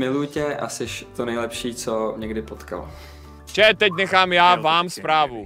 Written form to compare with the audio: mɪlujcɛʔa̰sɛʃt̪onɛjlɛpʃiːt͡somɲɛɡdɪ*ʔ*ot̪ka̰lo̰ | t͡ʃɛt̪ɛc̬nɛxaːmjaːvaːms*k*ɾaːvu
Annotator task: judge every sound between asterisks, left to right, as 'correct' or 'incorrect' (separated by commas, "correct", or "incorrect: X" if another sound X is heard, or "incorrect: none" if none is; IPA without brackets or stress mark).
incorrect: p, incorrect: p